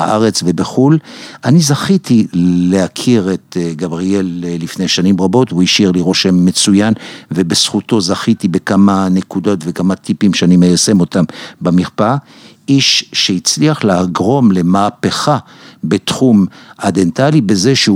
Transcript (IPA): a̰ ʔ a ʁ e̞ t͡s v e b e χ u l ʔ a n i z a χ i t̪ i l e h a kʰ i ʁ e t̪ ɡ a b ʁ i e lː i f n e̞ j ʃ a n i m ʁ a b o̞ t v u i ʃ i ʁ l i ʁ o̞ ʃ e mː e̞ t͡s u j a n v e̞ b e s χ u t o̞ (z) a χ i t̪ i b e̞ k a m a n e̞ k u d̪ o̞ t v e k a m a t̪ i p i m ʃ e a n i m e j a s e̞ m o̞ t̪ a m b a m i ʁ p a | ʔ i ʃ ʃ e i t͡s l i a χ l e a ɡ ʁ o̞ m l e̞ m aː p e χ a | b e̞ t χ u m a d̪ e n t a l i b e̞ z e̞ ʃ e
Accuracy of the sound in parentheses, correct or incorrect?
correct